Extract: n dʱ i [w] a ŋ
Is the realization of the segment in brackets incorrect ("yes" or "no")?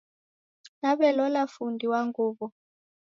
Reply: no